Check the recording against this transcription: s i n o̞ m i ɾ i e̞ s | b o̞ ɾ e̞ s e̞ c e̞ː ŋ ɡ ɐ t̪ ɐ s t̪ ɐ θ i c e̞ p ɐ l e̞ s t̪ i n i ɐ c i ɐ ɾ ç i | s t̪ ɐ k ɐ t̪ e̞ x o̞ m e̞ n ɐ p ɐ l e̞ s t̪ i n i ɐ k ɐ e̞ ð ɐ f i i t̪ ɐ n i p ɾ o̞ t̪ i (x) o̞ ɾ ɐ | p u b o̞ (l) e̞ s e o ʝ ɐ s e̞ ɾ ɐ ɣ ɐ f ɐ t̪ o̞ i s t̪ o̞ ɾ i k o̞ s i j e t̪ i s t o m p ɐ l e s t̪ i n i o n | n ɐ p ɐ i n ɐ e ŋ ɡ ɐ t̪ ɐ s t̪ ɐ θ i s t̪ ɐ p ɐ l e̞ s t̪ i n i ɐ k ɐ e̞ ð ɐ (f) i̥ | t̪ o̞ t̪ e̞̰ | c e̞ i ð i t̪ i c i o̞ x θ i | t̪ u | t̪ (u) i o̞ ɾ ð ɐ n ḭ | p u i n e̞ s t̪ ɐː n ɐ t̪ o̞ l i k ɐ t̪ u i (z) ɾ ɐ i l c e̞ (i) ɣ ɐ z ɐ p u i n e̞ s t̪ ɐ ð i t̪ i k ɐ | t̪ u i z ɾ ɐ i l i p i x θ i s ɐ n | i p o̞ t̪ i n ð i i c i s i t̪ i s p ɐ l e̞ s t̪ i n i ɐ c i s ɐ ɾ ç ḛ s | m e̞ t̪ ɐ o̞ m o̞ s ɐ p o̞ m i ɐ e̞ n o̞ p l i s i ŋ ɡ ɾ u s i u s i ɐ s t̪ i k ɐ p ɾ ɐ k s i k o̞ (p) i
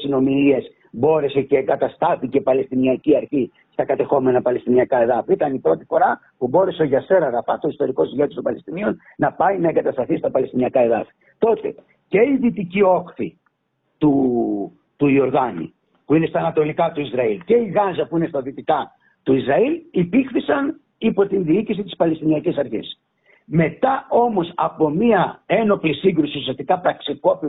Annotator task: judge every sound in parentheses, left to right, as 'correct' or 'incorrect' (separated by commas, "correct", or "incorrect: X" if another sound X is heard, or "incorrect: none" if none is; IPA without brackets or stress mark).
incorrect: f, incorrect: ɾ, correct, correct, correct, correct, correct